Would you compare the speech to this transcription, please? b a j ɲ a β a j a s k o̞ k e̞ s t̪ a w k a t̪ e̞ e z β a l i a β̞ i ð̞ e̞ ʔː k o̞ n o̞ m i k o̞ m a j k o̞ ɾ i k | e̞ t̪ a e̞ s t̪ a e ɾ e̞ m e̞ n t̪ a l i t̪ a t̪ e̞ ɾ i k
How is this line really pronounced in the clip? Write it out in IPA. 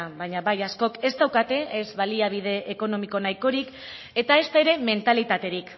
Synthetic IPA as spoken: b a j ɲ a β a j a s k o̞ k e̞ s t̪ a w k a t̪ e̞ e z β a l i a β̞ i ð̞ e̞ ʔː k o̞ n o̞ m i k o̞ n a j k o̞ ɾ i k | e̞ t̪ a e̞ s t̪ a e ɾ e̞ m e̞ n t̪ a l i t̪ a t̪ e̞ ɾ i k

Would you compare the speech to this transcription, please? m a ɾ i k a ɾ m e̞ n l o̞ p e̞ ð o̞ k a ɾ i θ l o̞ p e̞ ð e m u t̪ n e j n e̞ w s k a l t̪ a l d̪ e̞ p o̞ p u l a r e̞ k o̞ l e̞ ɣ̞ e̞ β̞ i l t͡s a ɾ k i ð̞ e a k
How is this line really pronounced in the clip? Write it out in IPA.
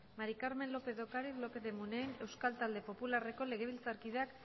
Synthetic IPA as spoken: m a ɾ i k a ɾ m e̞ n l o̞ p e̞ ð o̞ k a ɾ i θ l o̞ p e̞ ð e m u n e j n e̞ w s k a l t̪ a l d̪ e̞ p o̞ p u l a r e̞ k o̞ l e̞ ɣ̞ e̞ β̞ i l t͡s a ɾ k i ð̞ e a k

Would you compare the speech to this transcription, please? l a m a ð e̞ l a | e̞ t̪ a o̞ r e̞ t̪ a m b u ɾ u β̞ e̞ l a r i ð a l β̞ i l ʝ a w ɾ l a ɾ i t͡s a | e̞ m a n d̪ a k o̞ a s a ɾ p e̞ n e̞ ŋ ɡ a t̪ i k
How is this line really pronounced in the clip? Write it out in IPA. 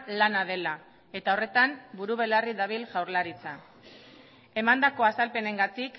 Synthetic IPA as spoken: l a n a ð e̞ l a | e̞ t̪ a o̞ r e̞ t̪ a m b u ɾ u β̞ e̞ l a r i ð a β̞ i l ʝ a w ɾ l a ɾ i t͡s a | e̞ m a n d̪ a k o̞ a s a l p e̞ n e̞ ŋ ɡ a t̪ i k

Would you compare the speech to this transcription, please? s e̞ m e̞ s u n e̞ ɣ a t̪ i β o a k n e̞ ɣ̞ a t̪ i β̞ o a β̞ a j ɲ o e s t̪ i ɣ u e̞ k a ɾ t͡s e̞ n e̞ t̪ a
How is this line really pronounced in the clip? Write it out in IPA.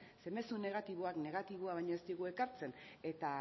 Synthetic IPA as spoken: s e̞ m e̞ s u n e̞ ɣ a t̪ i β o a k n e̞ ɣ̞ a t̪ i β̞ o a β̞ a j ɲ o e s t̪ i ɣ u e̞ k a ɾ t͡s e̞ n e̞ t̪ a

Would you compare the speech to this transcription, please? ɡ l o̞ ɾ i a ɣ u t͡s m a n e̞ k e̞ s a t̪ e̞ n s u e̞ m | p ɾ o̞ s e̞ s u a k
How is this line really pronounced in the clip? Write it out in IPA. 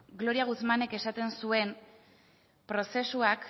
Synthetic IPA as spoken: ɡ l o̞ ɾ i a ɣ u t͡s m a n e̞ k e̞ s a t̪ e̞ n s u e̞ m | p ɾ o̞ s e̞ s u a k

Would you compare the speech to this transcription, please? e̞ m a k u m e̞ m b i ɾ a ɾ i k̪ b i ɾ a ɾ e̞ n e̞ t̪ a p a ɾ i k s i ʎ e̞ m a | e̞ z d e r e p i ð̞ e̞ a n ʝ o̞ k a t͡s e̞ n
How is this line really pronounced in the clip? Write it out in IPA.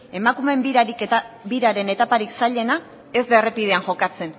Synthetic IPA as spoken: e̞ m a k u m e̞ m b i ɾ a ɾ i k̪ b i ɾ a ɾ e̞ n e̞ t̪ a p a ɾ i k s a ʎ e̞ n a | e̞ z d e r e p i ð̞ e̞ a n ʝ o̞ k a t͡s e̞ n

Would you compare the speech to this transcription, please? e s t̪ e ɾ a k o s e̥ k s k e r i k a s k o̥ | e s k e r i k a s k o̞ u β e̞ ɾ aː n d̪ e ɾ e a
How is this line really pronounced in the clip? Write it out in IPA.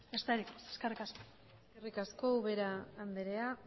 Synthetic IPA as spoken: e s t̪ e ɾ i k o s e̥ s k e r i k a s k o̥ | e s k e r i k a s k o̞ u β e̞ ɾ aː n d̪ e ɾ e a

